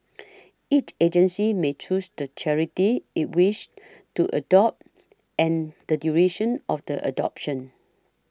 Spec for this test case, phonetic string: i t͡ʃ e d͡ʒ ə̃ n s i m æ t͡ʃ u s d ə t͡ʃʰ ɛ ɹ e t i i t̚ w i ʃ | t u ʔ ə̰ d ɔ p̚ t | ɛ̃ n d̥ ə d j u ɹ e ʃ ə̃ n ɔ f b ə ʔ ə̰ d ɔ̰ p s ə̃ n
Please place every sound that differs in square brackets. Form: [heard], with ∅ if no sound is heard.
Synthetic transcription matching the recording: i t͡ʃ e d͡ʒ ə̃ n s i m [e] t͡ʃ u s d ə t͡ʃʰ ɛ ɹ [i] t i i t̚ w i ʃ | t u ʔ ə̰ d ɔ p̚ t | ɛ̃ n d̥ ə d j u ɹ e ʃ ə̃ n ɔ f [d] ə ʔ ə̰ d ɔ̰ p [ʃ] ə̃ n